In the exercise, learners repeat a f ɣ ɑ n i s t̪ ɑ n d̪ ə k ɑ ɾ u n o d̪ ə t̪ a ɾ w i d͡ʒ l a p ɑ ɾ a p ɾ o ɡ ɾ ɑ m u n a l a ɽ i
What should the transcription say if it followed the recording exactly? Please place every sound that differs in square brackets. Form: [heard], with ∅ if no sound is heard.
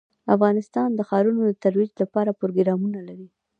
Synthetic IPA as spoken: a f ɣ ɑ n [ɪ] s t̪ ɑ n d̪ ə [x] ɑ ɾ u n o d̪ ə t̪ a ɾ w i d͡ʒ l a p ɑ ɾ a p ɾ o ɡ ɾ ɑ m u n a l a [ɾ] i